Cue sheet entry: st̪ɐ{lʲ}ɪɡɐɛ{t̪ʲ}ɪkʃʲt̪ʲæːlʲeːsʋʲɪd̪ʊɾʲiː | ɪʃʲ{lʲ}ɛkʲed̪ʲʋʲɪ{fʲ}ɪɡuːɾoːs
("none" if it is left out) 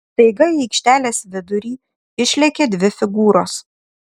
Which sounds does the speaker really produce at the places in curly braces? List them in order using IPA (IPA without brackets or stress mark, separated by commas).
none, none, lʲ, fʲ